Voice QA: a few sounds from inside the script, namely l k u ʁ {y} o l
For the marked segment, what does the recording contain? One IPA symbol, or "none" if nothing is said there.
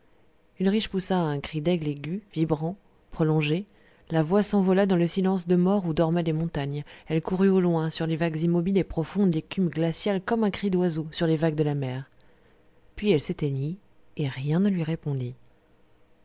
y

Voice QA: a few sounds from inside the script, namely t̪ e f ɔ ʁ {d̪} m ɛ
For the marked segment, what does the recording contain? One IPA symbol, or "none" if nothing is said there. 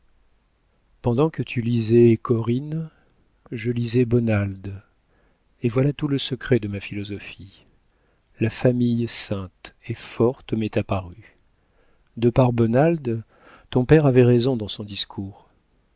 t̪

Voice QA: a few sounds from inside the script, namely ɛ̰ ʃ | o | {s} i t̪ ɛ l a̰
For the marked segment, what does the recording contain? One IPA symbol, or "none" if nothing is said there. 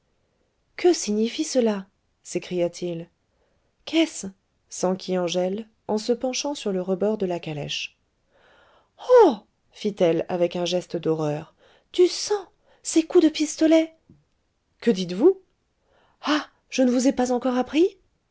f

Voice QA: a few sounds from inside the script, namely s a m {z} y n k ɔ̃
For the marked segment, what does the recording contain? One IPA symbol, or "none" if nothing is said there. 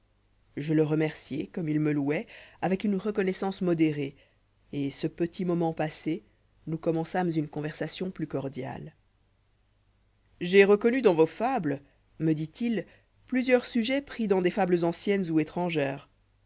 z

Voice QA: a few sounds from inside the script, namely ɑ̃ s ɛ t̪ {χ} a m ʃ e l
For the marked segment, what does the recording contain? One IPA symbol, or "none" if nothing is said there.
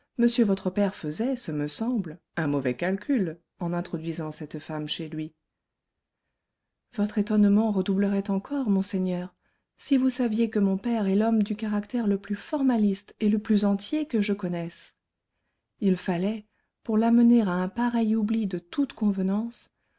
f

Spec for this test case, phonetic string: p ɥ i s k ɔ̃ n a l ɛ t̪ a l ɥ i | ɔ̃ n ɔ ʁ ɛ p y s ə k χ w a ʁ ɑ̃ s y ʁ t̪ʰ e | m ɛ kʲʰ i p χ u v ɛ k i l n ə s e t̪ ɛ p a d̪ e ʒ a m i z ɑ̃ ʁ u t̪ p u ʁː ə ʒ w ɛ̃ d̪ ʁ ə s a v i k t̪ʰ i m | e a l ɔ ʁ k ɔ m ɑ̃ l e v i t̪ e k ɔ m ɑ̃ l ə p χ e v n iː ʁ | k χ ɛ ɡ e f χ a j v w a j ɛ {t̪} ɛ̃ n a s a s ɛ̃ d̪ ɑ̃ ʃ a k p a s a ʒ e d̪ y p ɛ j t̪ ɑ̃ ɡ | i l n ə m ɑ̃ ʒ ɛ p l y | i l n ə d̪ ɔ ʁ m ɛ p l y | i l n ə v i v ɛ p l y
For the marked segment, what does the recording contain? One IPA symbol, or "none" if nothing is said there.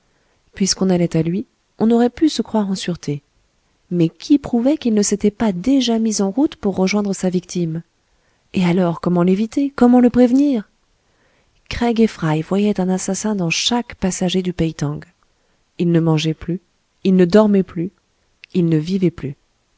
t̪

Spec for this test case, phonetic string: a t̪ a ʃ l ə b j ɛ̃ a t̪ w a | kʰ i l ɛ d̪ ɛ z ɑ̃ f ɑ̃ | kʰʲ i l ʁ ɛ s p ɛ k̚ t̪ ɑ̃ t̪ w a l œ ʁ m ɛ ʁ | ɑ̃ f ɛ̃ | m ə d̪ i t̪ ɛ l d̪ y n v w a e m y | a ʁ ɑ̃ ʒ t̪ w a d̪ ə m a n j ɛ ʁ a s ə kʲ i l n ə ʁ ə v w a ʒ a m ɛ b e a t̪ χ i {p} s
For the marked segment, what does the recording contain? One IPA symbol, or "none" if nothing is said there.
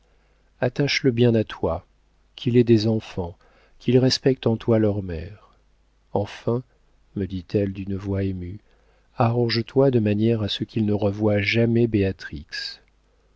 k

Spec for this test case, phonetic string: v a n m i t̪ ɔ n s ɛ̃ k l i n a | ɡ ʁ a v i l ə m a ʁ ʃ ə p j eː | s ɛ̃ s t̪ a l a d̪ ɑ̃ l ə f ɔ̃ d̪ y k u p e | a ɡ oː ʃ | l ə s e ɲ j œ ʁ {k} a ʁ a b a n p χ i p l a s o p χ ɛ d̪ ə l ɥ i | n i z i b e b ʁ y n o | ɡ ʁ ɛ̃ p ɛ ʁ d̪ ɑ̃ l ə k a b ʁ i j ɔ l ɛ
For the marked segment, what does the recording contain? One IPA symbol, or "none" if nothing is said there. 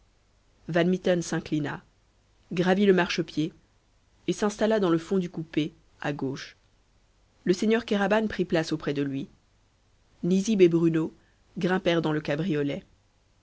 k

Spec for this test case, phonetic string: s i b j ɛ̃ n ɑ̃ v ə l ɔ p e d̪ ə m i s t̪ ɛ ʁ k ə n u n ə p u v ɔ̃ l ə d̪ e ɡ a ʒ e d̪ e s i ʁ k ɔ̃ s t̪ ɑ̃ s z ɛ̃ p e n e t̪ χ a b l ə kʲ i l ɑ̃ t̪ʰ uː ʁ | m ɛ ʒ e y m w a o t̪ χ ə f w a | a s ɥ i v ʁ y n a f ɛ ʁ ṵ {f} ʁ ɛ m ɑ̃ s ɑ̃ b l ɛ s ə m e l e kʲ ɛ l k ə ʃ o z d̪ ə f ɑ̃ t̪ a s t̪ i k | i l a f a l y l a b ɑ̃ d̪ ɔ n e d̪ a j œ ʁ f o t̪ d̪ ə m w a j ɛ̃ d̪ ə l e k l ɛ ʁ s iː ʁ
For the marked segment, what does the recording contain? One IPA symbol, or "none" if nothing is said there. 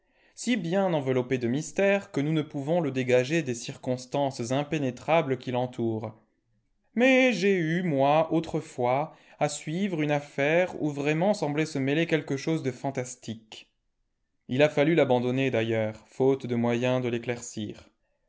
v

